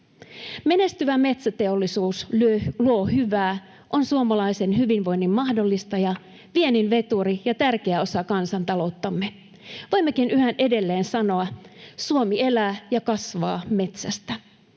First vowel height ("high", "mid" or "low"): mid